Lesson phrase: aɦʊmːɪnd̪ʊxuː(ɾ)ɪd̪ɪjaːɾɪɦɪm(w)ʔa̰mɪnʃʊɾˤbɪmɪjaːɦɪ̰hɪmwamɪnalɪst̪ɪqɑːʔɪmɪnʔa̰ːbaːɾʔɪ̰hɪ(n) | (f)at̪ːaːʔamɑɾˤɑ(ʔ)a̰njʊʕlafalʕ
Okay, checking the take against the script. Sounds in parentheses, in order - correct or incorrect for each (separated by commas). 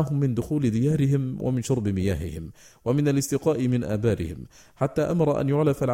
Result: incorrect, correct, incorrect, incorrect, correct